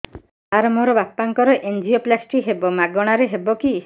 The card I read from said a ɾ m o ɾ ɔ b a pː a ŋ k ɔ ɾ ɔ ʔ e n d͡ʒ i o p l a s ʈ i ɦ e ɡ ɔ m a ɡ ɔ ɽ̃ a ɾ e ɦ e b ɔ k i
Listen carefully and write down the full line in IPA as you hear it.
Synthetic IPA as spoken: a ɾ m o ɾ ɔ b a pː a ŋ k ɔ ɾ ɔ ʔ e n d͡ʒ i o p l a s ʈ i ɦ e b ɔ m a ɡ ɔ ɽ̃ a ɾ e ɦ e b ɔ k i